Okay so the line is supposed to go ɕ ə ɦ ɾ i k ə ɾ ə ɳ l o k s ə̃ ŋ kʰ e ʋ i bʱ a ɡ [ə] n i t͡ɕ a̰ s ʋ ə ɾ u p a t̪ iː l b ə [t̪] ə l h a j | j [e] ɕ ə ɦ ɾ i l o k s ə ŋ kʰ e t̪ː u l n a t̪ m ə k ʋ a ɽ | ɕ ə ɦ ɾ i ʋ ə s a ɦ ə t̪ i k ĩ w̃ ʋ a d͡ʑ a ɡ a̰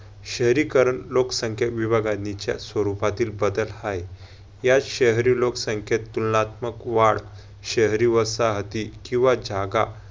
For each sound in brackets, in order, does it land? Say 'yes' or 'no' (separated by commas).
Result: no, no, no